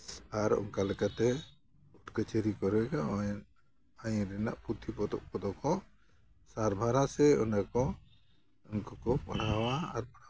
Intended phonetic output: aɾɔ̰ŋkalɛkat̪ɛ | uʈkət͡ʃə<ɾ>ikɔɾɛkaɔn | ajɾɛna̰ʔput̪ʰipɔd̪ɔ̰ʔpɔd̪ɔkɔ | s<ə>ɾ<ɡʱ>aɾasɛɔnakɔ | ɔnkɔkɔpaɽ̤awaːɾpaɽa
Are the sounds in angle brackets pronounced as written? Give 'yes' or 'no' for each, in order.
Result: yes, no, no

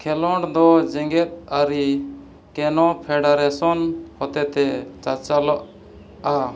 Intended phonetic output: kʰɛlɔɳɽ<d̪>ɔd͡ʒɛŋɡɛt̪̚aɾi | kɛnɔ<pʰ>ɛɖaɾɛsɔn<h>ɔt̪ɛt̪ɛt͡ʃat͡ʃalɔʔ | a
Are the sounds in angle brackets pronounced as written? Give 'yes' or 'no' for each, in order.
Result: yes, yes, yes

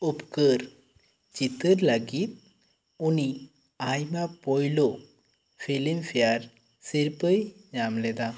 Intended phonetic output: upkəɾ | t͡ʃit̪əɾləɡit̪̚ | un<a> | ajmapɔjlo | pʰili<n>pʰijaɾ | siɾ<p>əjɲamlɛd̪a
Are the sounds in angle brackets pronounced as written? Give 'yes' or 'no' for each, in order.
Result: no, no, yes

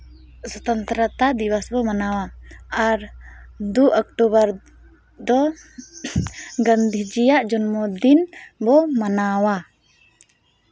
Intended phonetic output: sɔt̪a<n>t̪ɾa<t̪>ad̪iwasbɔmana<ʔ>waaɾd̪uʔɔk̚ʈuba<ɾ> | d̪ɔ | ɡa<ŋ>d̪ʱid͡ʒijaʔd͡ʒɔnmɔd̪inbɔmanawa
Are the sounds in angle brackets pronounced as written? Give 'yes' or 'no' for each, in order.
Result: yes, yes, no, yes, no

